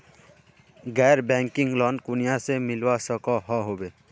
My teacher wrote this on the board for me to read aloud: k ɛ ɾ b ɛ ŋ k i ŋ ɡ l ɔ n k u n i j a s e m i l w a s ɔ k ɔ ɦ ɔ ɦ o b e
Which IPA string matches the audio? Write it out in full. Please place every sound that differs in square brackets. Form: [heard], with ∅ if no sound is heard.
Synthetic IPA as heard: [ɡ] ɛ ɾ b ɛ ŋ k i ŋ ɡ l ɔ n k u n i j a s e m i l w a s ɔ k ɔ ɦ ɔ ɦ o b e